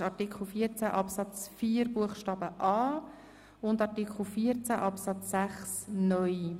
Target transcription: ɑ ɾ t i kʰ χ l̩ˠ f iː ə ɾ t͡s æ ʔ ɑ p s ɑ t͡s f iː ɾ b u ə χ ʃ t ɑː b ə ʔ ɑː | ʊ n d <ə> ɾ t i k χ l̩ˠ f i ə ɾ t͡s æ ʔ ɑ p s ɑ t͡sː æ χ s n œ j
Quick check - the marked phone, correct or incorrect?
incorrect: ɑ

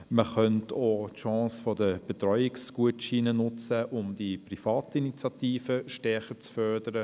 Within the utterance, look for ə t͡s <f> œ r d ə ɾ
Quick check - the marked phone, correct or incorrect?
correct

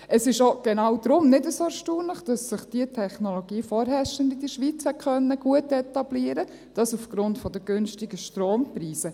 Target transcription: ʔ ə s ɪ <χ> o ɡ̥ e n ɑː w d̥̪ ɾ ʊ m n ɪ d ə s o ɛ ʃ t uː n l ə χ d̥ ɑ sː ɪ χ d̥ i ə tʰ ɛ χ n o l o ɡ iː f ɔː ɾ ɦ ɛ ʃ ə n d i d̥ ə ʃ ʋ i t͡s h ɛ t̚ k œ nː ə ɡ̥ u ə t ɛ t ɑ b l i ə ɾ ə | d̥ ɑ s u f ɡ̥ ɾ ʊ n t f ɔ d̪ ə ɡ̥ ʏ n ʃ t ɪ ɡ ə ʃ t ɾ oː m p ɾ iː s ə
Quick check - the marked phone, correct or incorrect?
incorrect: ʃ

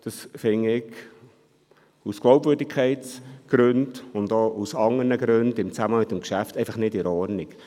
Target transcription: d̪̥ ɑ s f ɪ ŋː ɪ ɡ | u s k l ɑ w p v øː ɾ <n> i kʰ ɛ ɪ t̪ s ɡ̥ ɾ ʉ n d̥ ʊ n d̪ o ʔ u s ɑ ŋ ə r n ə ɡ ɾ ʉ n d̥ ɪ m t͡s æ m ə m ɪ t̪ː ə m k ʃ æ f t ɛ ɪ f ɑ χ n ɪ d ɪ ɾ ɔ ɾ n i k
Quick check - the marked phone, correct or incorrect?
incorrect: d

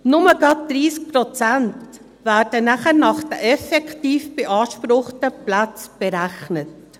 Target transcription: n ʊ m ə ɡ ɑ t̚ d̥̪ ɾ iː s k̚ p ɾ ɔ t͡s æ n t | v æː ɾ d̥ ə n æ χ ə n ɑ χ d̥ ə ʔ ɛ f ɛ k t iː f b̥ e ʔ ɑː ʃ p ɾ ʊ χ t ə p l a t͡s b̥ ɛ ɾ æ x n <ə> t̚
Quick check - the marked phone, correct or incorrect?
correct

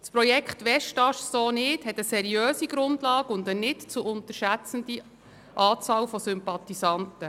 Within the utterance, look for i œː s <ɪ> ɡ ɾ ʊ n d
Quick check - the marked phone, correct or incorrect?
incorrect: i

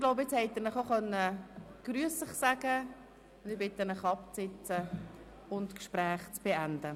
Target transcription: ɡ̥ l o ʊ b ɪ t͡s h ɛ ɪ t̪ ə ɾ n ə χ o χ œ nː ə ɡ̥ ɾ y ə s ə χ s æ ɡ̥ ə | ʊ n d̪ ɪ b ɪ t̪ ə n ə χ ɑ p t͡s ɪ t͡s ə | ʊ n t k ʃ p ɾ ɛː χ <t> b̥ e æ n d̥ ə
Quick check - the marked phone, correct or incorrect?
incorrect: t͡s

